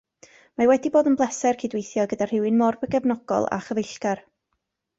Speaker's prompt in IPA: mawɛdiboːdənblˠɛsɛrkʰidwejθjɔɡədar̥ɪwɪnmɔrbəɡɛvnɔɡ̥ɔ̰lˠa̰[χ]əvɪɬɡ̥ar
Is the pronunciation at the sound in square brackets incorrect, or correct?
correct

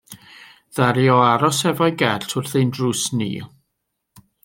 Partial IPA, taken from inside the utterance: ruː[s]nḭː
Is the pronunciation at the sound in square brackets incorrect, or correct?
correct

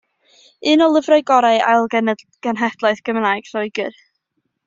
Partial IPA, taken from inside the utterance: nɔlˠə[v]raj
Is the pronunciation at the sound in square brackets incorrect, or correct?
correct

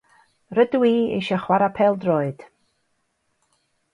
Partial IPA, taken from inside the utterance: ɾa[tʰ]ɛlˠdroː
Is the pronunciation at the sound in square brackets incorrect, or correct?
incorrect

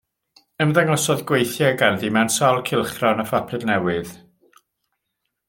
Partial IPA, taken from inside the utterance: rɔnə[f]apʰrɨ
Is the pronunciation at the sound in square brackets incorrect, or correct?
correct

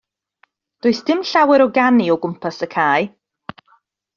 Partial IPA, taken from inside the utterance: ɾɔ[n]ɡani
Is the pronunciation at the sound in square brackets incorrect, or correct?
incorrect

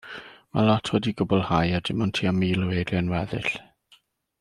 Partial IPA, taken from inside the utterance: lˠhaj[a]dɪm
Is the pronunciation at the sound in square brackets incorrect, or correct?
correct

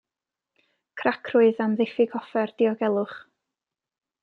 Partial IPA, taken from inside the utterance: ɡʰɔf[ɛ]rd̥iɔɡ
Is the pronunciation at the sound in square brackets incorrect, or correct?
correct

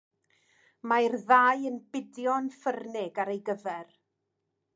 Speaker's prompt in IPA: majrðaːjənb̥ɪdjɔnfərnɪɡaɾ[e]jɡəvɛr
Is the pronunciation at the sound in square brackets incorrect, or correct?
correct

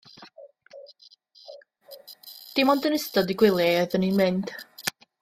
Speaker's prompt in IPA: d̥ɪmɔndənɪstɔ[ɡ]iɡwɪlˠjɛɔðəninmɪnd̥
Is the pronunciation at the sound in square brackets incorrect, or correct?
incorrect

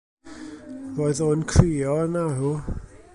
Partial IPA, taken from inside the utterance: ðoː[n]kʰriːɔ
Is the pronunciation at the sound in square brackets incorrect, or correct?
correct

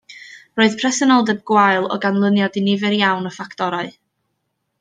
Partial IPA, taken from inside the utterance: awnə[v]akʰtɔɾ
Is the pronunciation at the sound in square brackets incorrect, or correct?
incorrect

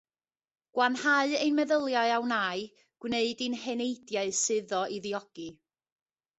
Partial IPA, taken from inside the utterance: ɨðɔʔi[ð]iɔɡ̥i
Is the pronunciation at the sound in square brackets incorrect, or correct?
correct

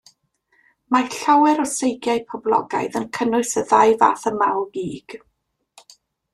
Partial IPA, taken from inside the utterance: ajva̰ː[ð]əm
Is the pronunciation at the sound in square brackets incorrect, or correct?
incorrect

